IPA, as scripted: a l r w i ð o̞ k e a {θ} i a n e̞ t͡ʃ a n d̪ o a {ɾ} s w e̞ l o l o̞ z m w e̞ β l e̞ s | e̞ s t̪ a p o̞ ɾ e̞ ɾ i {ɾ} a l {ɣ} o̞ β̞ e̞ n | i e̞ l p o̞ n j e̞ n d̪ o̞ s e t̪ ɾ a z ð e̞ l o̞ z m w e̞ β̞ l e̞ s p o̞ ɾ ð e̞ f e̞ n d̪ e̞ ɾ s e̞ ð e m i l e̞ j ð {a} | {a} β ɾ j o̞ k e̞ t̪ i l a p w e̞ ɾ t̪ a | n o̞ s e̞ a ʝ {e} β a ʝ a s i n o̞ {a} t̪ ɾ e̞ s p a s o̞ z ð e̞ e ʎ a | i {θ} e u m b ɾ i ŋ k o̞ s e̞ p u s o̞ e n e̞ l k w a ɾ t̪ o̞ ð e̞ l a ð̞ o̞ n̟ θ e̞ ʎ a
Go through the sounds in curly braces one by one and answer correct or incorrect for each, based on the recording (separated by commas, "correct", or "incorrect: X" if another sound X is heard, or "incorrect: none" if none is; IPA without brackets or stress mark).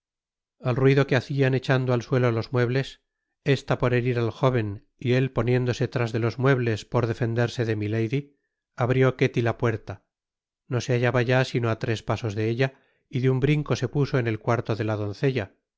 correct, incorrect: l, correct, incorrect: x, incorrect: i, correct, incorrect: a, correct, incorrect: ð